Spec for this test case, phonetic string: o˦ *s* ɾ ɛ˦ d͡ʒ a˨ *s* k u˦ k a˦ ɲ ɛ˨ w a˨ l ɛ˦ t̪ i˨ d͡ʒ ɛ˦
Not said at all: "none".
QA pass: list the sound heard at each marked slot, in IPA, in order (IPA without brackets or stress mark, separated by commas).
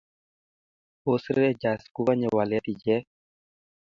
s, s